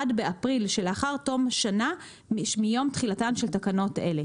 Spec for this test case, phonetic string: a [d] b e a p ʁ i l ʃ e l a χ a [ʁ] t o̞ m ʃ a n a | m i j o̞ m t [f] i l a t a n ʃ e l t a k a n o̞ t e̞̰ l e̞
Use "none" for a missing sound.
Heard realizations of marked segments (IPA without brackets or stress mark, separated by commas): d, ʁ, χ